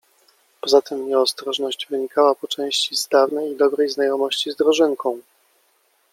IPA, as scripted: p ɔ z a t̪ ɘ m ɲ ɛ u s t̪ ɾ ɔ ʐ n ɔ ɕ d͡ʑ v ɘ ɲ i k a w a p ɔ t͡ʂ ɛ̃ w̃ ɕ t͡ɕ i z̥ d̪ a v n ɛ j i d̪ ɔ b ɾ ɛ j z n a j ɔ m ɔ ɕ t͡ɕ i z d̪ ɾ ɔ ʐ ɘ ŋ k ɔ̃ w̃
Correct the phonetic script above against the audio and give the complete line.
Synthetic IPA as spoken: p ɔ z a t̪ ɘ m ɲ ɛ ɔ s t̪ ɾ ɔ ʐ n ɔ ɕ d͡ʑ v ɘ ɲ i k a w a p ɔ t͡ʂ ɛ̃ w̃ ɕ t͡ɕ i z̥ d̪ a v n ɛ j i d̪ ɔ b ɾ ɛ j z n a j ɔ m ɔ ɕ t͡ɕ i z d̪ ɾ ɔ ʐ ɘ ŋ k ɔ̃ w̃